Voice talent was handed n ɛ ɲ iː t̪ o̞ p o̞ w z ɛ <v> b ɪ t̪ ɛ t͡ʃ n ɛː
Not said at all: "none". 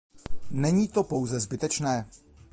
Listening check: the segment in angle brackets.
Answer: z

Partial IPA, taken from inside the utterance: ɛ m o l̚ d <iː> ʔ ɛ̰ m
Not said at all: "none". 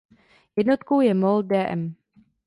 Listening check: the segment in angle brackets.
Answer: ɛː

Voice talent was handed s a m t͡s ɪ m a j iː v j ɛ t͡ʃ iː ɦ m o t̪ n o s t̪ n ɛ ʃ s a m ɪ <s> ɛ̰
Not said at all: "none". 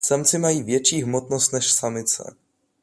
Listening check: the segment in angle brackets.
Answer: t͡s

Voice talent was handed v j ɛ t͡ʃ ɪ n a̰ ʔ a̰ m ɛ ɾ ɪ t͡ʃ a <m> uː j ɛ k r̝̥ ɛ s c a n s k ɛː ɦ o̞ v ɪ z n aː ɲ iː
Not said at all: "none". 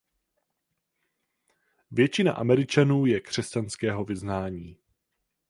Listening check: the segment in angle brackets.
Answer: n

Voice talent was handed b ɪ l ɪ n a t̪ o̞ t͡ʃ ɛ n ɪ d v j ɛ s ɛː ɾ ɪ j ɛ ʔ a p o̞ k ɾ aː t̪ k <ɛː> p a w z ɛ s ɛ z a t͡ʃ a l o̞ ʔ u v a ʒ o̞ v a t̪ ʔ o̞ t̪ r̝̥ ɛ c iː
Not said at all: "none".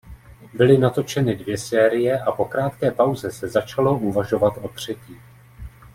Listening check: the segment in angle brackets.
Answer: ɛː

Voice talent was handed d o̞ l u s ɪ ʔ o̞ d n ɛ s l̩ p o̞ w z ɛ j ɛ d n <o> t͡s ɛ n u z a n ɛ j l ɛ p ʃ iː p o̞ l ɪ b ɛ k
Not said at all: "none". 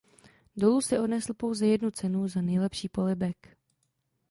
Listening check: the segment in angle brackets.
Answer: u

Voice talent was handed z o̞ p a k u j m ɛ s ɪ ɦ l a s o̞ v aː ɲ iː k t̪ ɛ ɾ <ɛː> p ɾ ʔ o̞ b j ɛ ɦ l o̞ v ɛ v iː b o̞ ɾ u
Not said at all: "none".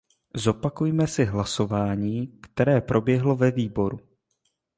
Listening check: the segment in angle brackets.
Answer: ɛː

